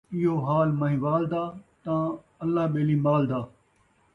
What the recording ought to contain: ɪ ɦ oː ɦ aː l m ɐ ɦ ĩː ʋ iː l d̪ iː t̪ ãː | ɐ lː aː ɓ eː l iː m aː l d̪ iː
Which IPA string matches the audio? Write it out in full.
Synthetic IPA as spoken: ɪ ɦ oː ɦ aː l m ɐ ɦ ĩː ʋ aː l d̪ aː t̪ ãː | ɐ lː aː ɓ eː l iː m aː l d̪ aː